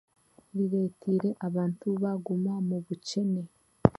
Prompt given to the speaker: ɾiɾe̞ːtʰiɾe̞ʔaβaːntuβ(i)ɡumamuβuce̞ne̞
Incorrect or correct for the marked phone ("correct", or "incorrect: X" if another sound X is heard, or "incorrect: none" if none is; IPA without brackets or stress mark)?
incorrect: a